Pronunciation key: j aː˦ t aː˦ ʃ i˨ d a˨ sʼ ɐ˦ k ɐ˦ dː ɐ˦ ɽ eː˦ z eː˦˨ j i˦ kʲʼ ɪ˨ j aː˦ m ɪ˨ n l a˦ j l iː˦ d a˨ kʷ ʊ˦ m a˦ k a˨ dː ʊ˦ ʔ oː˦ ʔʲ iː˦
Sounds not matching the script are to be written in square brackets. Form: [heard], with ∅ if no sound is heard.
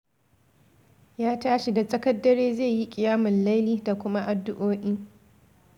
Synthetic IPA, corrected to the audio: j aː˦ t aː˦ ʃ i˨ d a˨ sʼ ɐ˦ k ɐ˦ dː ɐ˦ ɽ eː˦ z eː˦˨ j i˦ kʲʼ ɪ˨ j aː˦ m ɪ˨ n l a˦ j l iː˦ d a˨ kʷ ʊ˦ m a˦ [ʔ] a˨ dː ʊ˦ ʔ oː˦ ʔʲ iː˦